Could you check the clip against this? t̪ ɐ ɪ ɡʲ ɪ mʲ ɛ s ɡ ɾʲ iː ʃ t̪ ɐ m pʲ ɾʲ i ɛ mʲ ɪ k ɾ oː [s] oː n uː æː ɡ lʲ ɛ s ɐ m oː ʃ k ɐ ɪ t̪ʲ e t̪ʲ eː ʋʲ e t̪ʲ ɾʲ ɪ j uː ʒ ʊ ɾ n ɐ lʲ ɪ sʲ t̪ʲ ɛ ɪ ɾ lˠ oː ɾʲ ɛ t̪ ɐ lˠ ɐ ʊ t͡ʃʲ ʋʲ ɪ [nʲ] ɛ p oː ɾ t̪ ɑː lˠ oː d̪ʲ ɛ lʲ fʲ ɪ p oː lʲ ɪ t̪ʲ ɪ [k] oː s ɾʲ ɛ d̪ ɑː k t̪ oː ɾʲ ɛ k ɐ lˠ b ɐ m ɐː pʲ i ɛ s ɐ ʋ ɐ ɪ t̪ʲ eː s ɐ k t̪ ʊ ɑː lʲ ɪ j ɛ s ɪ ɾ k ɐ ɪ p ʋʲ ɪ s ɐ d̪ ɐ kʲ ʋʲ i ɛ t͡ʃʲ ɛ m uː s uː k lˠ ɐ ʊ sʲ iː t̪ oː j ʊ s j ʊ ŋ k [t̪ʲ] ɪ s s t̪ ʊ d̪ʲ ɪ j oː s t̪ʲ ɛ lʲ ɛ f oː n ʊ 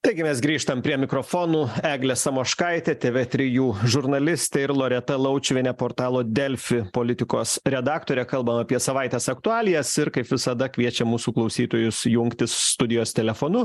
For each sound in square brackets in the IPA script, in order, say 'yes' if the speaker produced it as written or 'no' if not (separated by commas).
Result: no, yes, yes, yes